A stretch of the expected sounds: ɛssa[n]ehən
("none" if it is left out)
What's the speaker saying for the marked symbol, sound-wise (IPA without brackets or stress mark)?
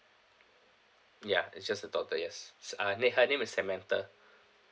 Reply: n